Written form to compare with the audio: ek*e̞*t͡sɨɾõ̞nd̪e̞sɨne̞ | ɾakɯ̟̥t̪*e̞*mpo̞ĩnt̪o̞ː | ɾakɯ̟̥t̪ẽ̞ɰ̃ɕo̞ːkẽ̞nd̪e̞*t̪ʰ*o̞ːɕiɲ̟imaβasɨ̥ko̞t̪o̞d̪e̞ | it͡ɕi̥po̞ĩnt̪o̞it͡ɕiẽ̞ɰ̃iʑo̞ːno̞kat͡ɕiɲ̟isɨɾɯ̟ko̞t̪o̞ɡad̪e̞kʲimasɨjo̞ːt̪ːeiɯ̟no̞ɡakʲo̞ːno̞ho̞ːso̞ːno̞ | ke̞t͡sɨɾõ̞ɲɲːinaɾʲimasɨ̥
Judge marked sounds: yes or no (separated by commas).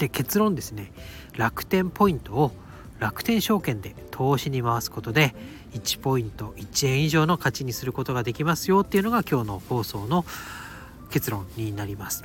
yes, no, yes